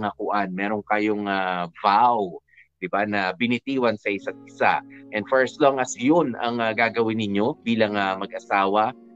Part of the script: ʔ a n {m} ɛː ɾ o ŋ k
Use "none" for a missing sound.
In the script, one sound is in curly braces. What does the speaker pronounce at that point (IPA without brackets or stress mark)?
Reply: m